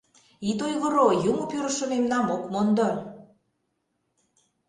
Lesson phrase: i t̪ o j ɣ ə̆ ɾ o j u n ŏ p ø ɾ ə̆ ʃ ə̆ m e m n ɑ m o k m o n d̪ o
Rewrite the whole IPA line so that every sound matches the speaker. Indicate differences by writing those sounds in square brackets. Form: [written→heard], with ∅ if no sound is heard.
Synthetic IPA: i t̪ o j ɣ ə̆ ɾ o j u [n→m] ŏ p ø ɾ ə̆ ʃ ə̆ m e m n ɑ m o k m o n d̪ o